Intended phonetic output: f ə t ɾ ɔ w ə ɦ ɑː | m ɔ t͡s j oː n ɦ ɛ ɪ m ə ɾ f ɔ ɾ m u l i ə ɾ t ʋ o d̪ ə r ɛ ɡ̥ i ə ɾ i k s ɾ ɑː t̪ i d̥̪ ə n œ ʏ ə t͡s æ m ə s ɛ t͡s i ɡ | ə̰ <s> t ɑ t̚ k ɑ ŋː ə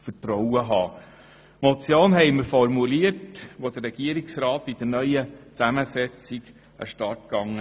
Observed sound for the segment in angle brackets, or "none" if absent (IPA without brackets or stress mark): ʃ